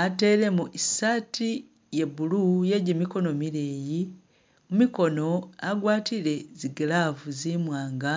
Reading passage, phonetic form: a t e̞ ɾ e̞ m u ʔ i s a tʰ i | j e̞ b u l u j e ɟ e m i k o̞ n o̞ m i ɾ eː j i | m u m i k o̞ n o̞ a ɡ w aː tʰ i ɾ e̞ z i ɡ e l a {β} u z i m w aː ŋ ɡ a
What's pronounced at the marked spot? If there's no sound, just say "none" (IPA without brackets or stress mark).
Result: v